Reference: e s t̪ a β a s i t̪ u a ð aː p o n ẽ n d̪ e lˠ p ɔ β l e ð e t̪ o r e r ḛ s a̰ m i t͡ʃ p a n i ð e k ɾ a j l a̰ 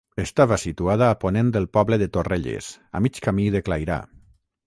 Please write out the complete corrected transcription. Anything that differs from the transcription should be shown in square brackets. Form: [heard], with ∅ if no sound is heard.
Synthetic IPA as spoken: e s t̪ a β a s i t̪ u a ð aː p o n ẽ n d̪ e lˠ p ɔ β l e ð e t̪ o r e [ʎ] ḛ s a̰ m i t͡ʃ [k] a [m] i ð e k [l] a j [ɾ] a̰